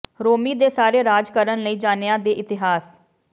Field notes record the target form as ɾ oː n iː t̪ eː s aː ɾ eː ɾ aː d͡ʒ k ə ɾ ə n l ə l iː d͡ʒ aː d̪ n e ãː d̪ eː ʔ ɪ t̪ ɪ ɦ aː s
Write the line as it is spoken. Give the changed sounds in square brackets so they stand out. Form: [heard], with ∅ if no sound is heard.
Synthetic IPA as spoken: ɾ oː [m] iː [d̪] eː s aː ɾ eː ɾ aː d͡ʒ k ə ɾ ə n l ə [∅] iː d͡ʒ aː [∅] n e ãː d̪ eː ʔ ɪ t̪ ɪ ɦ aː s